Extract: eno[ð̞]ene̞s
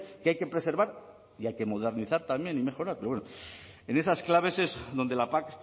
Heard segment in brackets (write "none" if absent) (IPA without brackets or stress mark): none